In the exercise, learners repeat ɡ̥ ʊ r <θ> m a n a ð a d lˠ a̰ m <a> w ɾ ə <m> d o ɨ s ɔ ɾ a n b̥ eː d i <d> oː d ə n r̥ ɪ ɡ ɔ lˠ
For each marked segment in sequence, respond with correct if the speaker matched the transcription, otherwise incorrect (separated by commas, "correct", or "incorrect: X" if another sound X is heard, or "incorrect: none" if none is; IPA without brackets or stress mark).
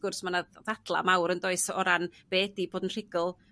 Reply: incorrect: s, correct, incorrect: n, incorrect: b